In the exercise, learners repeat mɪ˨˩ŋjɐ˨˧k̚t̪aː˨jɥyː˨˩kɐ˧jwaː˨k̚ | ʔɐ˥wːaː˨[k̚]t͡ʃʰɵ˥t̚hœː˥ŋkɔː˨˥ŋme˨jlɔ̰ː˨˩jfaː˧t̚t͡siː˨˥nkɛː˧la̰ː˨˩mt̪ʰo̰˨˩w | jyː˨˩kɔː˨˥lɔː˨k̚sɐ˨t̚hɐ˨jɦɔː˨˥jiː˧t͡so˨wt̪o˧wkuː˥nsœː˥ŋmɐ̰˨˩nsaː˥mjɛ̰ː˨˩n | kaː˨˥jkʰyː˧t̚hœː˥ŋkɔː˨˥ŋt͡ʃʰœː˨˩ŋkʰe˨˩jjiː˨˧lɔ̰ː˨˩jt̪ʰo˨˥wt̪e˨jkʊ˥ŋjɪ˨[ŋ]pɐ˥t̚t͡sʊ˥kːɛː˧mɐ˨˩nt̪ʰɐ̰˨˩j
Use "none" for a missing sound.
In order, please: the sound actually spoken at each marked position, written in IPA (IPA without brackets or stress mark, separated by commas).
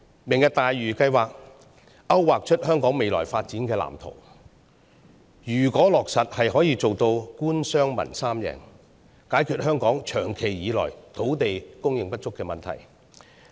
k̚, ŋ